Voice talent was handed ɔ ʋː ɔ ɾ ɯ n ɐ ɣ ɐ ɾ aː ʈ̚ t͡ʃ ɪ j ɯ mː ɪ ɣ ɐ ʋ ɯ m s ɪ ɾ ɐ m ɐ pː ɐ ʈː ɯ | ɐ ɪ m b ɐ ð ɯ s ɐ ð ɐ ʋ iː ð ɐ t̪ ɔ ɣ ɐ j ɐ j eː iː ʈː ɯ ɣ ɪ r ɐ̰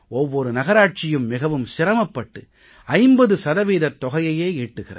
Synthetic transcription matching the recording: ɔ ʋː ɔ ɾ ɯ n ɐ ɣ ɐ ɾ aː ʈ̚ t͡ʃ ɪ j ɯ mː ɪ ɣ ɐ ʋ ɯ m s ɪ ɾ ɐ m ɐ pː ɐ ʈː ɯ | ɐ ɪ m b ɐ ð ɯ s ɐ ð ɐ ʋ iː ð ɐ t̪ ɔ ɣ ɐ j ɐ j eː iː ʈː ɯ ɣ ɪ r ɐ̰

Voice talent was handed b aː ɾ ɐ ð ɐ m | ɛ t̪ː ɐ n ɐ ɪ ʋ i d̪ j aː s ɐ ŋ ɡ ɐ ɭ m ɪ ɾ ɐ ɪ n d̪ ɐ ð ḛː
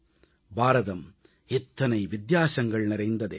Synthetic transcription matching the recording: b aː ɾ ɐ ð ɐ m | ɛ t̪ː ɐ n ɐ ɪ ʋ ɪ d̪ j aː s ɐ ŋ ɡ ɐ ɭ n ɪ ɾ ɐ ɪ n d̪ ɐ ð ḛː

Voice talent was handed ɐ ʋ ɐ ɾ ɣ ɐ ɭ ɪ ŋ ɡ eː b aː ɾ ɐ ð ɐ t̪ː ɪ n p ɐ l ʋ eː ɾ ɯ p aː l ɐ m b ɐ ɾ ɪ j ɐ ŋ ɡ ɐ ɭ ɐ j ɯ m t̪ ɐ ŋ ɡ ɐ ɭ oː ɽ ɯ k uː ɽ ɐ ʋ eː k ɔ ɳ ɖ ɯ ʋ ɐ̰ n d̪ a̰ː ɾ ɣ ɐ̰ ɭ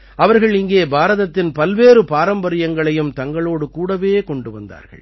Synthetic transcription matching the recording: ɐ ʋ ɐ ɾ ɣ ɐ ɭ ɪ ŋ ɡ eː b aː ɾ ɐ ð ɐ t̪ː ɪ n p ɐ l ʋ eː ɾ ɯ p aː ɾ ɐ m b ɐ ɾ ɪ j ɐ ŋ ɡ ɐ ɭ ɐ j ɯ m t̪ ɐ ŋ ɡ ɐ ɭ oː ɽ ɯ k uː ɽ ɐ ʋ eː k ɔ ɳ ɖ ɯ ʋ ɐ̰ n d̪ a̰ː ɾ ɣ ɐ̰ ɭ

